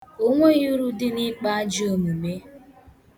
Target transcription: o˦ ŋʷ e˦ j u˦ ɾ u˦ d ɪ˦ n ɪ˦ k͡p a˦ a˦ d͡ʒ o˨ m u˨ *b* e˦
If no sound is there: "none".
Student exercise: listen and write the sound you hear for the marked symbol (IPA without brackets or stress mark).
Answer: m